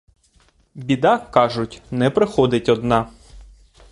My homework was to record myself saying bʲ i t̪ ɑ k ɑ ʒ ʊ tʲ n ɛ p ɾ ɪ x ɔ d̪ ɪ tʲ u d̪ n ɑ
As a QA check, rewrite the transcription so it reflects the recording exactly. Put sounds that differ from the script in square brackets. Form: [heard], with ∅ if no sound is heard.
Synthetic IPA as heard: bʲ i [d̪] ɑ k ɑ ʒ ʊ tʲ n ɛ p ɾ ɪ x ɔ d̪ ɪ tʲ [ɔ] d̪ n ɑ

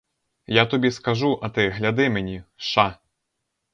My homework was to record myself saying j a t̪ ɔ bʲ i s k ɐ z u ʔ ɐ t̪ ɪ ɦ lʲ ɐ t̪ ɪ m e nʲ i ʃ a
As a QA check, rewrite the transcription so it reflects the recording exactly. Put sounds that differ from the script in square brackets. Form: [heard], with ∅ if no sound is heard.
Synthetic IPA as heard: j a t̪ ɔ bʲ i s k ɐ [ʒ] u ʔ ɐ t̪ ɪ ɦ lʲ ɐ [d̪] ɪ m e nʲ i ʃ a

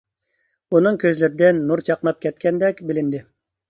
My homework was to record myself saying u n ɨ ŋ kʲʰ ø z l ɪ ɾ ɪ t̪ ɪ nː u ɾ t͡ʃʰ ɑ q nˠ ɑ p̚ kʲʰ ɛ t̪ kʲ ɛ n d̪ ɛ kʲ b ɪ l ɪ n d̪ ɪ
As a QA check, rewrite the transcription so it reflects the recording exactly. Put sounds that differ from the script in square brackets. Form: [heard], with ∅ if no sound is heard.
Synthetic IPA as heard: u n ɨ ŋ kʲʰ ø z l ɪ ɾ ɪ [d̪] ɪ nː u ɾ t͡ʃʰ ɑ q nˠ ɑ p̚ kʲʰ ɛ t̪ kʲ ɛ n d̪ ɛ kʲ b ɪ l ɪ n d̪ ɪ

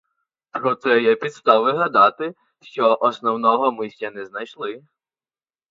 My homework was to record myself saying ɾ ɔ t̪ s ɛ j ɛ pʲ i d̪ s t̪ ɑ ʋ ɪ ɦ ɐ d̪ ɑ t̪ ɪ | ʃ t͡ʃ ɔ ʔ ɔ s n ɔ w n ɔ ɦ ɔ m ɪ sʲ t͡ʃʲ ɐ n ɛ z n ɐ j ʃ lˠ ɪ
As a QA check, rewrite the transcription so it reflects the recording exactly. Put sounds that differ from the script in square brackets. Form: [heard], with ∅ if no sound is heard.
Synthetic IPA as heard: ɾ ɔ t̪ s ɛ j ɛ pʲ i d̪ s t̪ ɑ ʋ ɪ ɦ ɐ d̪ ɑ t̪ ɪ | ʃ t͡ʃ ɔ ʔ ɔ s n ɔ w n ɔ ɦ ɔ m ɪ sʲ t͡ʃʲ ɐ n ɛ z n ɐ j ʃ lˠ ɪ

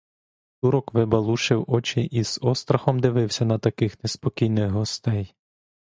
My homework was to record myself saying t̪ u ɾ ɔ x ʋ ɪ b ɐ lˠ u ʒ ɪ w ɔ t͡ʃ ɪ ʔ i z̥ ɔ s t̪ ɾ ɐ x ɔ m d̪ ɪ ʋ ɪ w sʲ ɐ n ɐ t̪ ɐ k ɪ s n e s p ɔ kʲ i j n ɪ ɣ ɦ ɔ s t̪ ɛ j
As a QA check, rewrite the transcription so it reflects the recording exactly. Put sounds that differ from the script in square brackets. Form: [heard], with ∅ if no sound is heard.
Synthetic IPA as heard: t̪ u ɾ ɔ [k] ʋ ɪ b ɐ lˠ u [ʃ] ɪ w ɔ t͡ʃ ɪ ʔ i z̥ ɔ s t̪ ɾ ɐ x ɔ m d̪ ɪ ʋ ɪ w sʲ ɐ n ɐ t̪ ɐ k ɪ [x] n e s p ɔ kʲ i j n ɪ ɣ ɦ ɔ s t̪ ɛ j

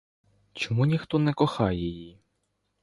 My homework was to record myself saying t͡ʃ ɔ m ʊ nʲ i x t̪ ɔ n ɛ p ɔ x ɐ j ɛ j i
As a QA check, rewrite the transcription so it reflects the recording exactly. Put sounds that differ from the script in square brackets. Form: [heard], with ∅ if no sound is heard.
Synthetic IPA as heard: t͡ʃ ɔ m [u] nʲ i x t̪ ɔ n ɛ [k] ɔ x [ɑ] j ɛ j i

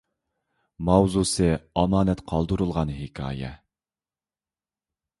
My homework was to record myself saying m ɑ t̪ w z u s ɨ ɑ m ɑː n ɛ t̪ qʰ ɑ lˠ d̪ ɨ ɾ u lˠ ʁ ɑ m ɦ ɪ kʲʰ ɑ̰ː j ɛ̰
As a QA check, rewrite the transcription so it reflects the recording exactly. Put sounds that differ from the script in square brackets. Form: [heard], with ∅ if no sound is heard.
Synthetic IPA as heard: m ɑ [∅] w z u s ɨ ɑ m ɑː n ɛ t̪ qʰ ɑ lˠ d̪ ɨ ɾ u lˠ ʁ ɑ [n] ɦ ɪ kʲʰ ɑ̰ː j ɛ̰

